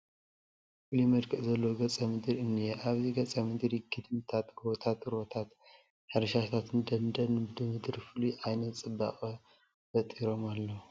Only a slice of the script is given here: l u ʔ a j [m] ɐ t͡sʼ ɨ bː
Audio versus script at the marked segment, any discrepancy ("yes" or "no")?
yes